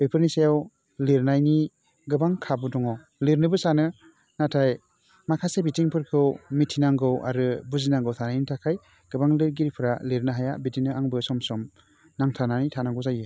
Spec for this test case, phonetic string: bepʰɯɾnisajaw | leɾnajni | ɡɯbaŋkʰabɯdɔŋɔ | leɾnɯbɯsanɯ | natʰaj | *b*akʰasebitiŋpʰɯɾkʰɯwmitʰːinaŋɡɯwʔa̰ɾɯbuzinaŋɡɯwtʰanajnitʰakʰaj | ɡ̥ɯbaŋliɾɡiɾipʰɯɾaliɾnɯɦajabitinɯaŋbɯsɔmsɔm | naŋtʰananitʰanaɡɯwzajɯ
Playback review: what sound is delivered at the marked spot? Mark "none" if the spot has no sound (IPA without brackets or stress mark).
m